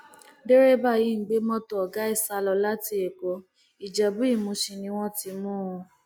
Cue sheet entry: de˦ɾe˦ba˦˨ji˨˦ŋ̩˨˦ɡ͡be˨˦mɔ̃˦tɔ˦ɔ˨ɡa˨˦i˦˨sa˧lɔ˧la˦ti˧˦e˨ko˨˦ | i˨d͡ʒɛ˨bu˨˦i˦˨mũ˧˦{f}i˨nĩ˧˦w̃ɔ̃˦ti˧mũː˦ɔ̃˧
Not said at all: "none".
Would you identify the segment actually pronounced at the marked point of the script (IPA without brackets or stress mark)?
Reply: ʃ